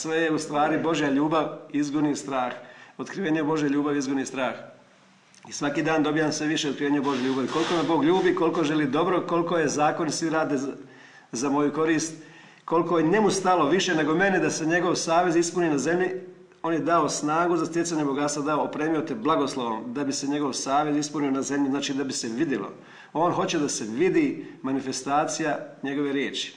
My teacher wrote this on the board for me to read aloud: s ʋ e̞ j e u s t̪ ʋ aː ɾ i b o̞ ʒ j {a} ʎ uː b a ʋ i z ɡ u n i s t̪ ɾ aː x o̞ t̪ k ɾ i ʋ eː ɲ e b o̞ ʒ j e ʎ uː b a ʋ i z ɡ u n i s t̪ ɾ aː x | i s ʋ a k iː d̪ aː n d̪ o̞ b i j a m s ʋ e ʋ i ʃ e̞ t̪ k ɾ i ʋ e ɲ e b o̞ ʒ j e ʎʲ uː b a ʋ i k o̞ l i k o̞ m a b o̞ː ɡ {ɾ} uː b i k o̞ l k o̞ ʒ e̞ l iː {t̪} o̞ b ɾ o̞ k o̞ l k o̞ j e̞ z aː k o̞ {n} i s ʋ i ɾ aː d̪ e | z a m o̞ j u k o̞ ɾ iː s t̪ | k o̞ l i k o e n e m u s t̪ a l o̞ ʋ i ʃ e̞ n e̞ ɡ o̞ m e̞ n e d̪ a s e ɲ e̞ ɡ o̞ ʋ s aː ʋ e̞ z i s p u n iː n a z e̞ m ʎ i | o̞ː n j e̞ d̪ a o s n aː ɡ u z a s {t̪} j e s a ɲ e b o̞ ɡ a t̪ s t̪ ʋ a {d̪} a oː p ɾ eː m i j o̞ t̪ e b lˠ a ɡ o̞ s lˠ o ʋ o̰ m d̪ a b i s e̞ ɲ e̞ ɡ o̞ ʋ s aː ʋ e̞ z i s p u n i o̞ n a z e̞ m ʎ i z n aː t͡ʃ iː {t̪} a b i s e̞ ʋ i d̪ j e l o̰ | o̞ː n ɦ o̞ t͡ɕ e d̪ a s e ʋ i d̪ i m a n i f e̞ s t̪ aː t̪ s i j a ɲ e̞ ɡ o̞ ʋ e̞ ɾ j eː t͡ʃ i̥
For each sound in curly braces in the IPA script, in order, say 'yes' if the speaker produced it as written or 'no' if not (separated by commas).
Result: yes, no, no, yes, yes, yes, no